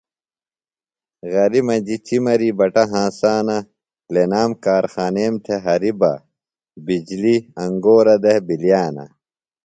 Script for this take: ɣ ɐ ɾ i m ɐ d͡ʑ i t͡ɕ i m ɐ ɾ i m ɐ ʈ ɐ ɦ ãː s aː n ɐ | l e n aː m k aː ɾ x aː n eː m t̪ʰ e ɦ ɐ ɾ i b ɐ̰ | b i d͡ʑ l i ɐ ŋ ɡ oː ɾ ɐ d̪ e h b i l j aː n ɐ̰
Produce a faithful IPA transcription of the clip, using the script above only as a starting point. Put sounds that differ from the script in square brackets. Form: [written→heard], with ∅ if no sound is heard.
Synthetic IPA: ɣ ɐ ɾ i m ɐ d͡ʑ i t͡ɕ i m ɐ ɾ i [m→b] ɐ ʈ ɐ ɦ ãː s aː n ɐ | l e n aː m k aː ɾ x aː n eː m t̪ʰ e ɦ ɐ ɾ i b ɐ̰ | b i d͡ʑ l i ɐ ŋ ɡ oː ɾ ɐ d̪ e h b i l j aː n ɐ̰

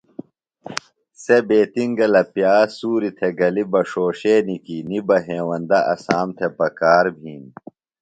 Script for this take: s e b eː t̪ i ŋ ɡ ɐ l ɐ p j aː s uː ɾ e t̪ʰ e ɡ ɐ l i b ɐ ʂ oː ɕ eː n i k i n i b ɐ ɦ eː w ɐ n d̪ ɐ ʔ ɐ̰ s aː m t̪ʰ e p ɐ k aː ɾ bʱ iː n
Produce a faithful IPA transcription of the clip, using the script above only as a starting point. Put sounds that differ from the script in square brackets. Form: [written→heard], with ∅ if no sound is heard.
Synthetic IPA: s e b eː t̪ i ŋ ɡ ɐ l ɐ p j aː s uː ɾ [e→i] t̪ʰ e ɡ ɐ l i b ɐ ʂ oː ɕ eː n i k i n i b ɐ ɦ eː w ɐ n d̪ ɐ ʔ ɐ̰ s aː m t̪ʰ e p ɐ k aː ɾ bʱ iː n

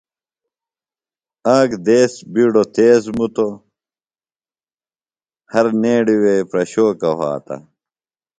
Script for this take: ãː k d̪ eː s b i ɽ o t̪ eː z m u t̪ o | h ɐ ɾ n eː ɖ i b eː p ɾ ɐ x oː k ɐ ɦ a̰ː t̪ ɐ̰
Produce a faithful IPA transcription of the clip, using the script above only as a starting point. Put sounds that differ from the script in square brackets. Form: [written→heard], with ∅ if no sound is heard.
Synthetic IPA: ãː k d̪ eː s b i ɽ o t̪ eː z m u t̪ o | h ɐ ɾ n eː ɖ i [b→w] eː p ɾ ɐ [x→ɕ] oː k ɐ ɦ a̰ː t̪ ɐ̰

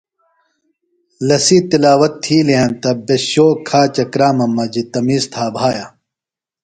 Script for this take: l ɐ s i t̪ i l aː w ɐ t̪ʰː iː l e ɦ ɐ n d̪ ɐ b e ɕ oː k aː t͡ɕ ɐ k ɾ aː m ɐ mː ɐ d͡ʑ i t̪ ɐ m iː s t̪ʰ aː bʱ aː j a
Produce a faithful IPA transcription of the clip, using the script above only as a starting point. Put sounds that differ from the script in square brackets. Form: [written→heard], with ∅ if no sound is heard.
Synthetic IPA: l ɐ s i t̪ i l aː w ɐ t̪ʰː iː l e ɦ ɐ n [d̪→t̪] ɐ b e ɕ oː [k→kʰ] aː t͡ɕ ɐ k ɾ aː m ɐ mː ɐ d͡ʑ i t̪ ɐ m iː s t̪ʰ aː bʱ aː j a

